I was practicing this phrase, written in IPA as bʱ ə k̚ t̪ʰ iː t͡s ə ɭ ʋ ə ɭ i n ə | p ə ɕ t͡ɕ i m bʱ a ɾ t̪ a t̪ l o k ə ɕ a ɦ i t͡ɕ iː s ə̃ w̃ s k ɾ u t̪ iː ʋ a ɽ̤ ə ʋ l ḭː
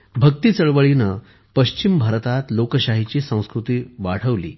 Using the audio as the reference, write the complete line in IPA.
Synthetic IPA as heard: bʱ ə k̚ t̪ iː t͡s ə ɭ ʋ ə ɭ i n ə | p ə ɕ t͡ɕ i m bʱ a ɾ t̪ a t̪ l o k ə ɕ a ɦ i t͡ɕ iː s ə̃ w̃ s k ɾ u t̪ iː ʋ a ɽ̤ ə ʋ l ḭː